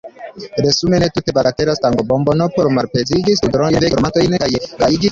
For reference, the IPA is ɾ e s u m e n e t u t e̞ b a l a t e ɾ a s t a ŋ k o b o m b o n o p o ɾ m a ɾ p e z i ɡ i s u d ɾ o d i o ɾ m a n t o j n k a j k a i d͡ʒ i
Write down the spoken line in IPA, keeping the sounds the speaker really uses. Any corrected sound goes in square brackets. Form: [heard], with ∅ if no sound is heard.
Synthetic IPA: ɾ e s u m e n e t u t e̞ b a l a t e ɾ a s t a ŋ [ɡ] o b o m b o n o p o ɾ m a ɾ p e z i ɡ i s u d ɾ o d [e] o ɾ m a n t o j n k a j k a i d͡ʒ i